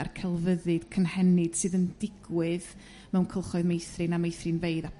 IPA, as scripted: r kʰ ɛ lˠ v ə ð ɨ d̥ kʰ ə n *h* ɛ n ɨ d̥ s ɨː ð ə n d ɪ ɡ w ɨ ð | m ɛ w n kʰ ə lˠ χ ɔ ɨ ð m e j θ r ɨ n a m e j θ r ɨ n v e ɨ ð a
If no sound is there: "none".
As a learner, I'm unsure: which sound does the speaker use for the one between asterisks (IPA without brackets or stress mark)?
h